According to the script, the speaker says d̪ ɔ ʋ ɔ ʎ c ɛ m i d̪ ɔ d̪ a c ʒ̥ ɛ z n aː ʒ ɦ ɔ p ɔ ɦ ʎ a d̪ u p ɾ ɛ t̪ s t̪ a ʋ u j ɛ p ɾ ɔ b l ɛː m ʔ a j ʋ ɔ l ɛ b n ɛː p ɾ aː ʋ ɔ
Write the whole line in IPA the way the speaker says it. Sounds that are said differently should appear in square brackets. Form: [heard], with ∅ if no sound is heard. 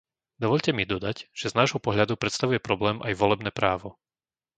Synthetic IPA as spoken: d̪ ɔ ʋ ɔ ʎ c ɛ m i d̪ ɔ d̪ a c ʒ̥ ɛ z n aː ʒ ɦ ɔ p ɔ ɦ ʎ a d̪ u p ɾ ɛ t̪ s t̪ a ʋ u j ɛ p ɾ ɔ b l ɛː m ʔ a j ʋ ɔ l ɛ b n ɛː p ɾ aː ʋ ɔ